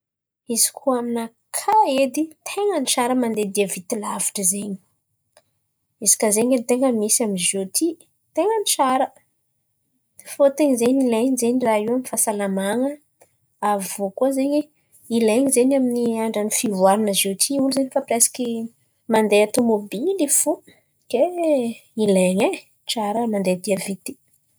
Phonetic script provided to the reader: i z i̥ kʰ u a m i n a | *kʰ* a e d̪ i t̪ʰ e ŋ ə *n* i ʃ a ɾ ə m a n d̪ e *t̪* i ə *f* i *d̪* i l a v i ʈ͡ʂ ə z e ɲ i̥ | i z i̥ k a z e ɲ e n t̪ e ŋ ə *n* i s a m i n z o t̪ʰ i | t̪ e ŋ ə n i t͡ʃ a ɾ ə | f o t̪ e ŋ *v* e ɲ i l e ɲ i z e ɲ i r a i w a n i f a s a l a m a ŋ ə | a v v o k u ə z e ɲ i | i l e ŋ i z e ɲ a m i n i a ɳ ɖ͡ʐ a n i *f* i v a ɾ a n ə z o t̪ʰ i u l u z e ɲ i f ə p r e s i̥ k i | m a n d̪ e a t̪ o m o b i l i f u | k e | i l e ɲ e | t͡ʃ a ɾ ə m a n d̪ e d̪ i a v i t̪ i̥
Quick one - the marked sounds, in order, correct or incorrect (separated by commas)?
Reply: correct, correct, incorrect, incorrect, incorrect, incorrect, incorrect, correct